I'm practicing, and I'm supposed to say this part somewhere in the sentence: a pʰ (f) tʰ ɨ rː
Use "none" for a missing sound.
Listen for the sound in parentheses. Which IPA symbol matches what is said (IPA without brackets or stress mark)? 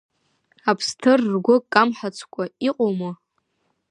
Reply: s